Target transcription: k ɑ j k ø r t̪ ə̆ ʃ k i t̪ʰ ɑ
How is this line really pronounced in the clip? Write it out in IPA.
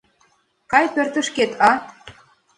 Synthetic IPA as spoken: k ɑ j p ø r t̪ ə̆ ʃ k e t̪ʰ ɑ